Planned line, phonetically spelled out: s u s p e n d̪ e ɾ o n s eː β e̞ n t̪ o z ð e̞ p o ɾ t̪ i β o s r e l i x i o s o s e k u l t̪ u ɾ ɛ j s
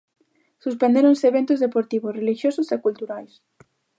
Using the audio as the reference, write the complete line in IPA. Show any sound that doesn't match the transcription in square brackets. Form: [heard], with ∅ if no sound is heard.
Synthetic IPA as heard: s u s p e n d̪ e ɾ o n s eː β e̞ n t̪ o z ð e̞ p o ɾ t̪ i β o s r e l i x [j] o s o s e k u l t̪ u ɾ [a] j s

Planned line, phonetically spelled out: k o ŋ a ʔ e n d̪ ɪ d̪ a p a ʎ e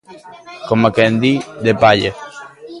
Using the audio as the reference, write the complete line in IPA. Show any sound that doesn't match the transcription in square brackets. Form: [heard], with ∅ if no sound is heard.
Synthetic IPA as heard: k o [m] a [k] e n d̪ [i] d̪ [e] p a ʎ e

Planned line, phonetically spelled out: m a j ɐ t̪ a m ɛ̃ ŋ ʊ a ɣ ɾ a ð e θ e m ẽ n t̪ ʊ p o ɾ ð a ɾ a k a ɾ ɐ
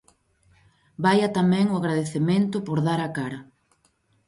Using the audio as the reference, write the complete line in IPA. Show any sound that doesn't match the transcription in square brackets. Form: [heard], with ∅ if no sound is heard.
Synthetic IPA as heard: [b] a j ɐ t̪ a m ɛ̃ ŋ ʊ a ɣ ɾ a ð e θ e m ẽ n t̪ ʊ p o ɾ ð a ɾ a k a ɾ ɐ

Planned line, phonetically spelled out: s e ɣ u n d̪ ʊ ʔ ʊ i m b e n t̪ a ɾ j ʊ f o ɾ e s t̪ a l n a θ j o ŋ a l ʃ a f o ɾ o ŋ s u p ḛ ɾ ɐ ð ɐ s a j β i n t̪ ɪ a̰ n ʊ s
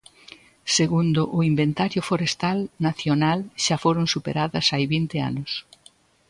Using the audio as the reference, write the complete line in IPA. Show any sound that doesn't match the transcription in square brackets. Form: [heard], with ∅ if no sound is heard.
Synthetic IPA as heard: s e ɣ u n d̪ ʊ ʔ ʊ i m b e n t̪ a ɾ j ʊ f o ɾ e s t̪ a l n a θ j o [n] a l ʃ a f o ɾ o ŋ s u p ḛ ɾ [a] ð ɐ s a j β i n t̪ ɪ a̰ n ʊ s

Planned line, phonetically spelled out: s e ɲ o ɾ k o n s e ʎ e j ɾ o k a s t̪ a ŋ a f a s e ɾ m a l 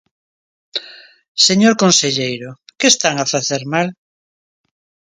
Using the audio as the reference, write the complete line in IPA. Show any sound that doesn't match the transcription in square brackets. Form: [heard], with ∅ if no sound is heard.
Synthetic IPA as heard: s e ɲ o ɾ k o n s e ʎ e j ɾ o k [e] s t̪ a ŋ a f a [θ] e ɾ m a l

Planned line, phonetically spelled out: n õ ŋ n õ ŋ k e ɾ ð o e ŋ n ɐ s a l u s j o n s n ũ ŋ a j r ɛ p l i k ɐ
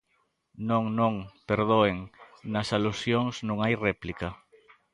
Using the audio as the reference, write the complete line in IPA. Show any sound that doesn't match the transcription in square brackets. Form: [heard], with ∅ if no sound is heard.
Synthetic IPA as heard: n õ ŋ n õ ŋ [p] e ɾ ð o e ŋ n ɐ s a l u s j o [ŋ] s n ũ ŋ a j r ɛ p l i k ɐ

